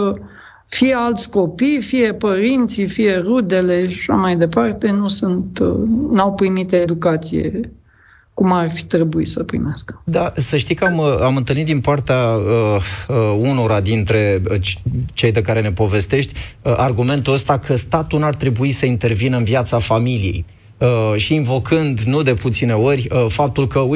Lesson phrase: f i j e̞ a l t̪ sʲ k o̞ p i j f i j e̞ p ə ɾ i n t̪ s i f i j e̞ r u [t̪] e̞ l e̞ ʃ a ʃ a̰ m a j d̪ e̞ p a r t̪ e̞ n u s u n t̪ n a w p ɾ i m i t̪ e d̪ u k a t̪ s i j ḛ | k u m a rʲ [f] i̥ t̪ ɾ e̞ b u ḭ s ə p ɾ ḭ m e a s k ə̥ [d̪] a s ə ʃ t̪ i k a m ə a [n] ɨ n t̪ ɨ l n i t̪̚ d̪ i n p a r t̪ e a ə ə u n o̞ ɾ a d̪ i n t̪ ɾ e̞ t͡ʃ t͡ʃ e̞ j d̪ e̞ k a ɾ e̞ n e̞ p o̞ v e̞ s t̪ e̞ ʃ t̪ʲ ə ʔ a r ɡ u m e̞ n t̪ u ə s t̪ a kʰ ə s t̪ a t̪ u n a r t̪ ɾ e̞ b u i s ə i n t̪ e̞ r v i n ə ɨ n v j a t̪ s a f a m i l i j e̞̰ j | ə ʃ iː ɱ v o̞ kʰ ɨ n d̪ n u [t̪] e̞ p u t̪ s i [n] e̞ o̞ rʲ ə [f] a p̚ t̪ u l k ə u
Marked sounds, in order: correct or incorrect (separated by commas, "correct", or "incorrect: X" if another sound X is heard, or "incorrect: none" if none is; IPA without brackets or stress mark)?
incorrect: d̪, correct, correct, incorrect: m, incorrect: d̪, correct, correct